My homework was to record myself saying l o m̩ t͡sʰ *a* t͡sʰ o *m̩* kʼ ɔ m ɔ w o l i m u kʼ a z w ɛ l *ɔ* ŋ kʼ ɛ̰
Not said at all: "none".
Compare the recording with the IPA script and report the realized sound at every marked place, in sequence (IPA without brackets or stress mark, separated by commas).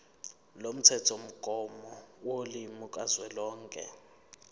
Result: ɛ, m̩, ɔː